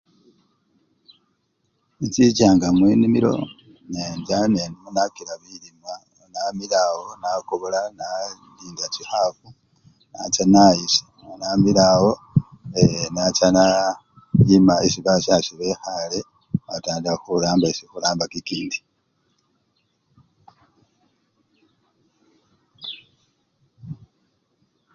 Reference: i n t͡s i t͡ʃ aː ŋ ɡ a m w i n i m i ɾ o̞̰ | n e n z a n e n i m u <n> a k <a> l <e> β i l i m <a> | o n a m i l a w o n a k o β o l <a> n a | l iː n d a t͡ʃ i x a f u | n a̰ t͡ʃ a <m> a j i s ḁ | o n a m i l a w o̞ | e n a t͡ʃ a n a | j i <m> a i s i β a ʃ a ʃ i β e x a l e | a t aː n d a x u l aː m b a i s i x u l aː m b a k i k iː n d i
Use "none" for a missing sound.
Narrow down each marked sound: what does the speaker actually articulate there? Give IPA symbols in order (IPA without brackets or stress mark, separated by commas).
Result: n, i, a, a, a, n, m